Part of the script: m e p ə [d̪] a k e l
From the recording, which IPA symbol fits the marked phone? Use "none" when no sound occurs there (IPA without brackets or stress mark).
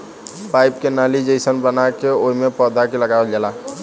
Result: d̪